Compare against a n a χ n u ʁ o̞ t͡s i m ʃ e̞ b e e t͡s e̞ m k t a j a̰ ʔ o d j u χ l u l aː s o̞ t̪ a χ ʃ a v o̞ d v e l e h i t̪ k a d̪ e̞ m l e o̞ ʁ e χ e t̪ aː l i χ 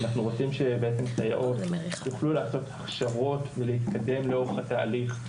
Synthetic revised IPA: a n a χ n u ʁ o̞ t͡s i m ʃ e̞ b e e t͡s e̞ m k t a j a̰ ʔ o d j u χ l u l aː s o̞ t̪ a χ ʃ a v o̞ t v e l e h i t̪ k a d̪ e̞ m l e o̞ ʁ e χ a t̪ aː l i χ